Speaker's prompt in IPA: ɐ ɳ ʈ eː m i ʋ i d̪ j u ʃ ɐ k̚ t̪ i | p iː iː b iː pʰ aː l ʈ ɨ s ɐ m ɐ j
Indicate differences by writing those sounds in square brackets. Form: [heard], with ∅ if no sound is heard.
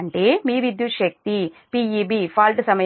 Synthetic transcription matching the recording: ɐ ɳ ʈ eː m [iː] ʋ i d̪ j u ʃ ɐ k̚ t̪ i | p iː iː b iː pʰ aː l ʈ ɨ s ɐ m ɐ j